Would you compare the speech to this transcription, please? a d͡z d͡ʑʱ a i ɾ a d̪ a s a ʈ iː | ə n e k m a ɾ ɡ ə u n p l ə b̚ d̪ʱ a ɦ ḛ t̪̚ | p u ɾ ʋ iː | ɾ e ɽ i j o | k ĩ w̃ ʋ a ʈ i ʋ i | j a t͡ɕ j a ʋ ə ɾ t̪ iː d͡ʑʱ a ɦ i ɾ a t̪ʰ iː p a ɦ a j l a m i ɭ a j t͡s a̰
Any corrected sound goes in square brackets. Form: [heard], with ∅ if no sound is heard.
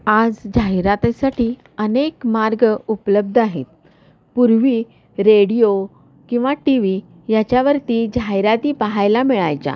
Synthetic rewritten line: a d͡z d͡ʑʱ a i ɾ a [t̪] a s a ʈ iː | ə n e k m a ɾ ɡ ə u [∅] p l ə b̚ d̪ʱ a ɦ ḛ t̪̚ | p u ɾ ʋ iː | ɾ e ɽ i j o | k ĩ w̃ ʋ a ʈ i ʋ i | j a t͡ɕ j a ʋ ə ɾ t̪ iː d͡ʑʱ a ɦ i ɾ a [t̪] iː p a ɦ a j l a m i ɭ a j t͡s a̰